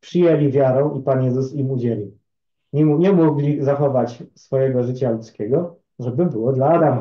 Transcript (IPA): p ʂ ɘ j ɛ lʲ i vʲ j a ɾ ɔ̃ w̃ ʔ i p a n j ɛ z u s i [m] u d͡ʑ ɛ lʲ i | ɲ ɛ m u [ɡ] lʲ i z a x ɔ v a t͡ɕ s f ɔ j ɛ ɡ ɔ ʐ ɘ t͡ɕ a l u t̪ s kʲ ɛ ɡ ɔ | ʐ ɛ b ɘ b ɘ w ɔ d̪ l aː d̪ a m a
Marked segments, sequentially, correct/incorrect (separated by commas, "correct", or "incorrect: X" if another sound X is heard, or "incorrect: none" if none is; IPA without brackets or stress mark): correct, correct